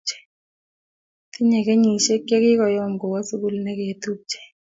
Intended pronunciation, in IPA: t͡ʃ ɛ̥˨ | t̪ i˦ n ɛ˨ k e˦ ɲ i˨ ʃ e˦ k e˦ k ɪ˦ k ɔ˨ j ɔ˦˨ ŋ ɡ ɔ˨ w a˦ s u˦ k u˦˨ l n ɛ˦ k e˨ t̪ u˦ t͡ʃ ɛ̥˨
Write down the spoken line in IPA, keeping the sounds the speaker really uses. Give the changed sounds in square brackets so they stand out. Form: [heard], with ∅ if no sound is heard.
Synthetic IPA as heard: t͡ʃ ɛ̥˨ | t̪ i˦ [ɲ] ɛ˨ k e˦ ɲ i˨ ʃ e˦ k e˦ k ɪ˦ k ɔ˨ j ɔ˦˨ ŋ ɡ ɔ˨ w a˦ s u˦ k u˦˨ l n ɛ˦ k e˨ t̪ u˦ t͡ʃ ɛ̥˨